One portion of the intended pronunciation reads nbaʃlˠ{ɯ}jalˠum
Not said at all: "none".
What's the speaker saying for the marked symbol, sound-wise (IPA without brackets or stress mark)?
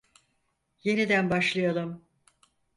ɯ